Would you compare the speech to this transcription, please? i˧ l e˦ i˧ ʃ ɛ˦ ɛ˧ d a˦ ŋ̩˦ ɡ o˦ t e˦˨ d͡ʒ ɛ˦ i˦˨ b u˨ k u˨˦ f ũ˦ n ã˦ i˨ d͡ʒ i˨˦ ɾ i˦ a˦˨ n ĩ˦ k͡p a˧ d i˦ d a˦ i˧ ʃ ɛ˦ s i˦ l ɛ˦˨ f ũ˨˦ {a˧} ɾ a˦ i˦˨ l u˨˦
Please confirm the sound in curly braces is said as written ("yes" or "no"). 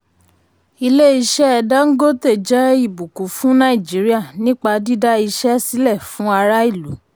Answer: yes